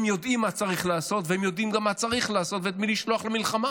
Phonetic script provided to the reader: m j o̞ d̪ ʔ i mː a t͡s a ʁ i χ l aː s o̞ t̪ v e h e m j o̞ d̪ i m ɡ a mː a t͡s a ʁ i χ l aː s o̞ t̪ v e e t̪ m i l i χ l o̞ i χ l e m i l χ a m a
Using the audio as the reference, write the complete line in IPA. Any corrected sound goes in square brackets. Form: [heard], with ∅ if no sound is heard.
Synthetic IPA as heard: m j o̞ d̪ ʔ i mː a t͡s a ʁ i χ l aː s o̞ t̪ v e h e m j o̞ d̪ i m ɡ a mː a t͡s a ʁ i χ l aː s o̞ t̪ v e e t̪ m i l i [ʃ] l o̞ [a] χ l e m i l χ a m a